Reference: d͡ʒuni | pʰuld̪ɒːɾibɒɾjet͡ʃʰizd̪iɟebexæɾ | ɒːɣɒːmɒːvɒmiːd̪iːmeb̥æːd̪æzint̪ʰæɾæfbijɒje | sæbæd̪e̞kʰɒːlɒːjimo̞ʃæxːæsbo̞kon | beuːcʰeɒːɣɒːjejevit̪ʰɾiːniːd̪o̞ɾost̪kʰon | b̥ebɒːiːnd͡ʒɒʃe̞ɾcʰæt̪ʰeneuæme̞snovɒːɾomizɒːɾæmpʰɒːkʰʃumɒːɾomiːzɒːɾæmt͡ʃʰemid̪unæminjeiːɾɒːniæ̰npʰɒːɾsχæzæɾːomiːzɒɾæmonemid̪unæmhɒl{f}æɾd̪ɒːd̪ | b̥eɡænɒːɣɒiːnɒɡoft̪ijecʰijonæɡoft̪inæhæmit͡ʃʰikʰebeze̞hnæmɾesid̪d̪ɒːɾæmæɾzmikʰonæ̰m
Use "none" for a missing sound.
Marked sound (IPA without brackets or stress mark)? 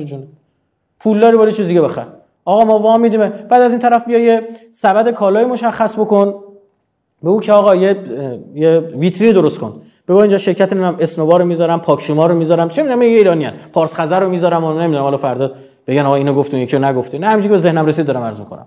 f